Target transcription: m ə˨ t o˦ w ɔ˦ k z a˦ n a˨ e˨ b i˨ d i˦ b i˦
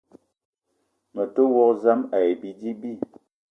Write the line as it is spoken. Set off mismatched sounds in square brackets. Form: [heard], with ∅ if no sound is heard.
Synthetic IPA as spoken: m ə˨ t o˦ w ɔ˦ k z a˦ [m] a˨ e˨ b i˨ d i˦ b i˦